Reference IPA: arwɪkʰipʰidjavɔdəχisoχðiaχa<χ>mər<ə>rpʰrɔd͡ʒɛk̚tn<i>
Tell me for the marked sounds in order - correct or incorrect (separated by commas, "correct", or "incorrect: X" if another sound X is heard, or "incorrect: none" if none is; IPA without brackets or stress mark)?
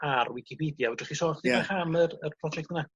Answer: incorrect: none, correct, incorrect: a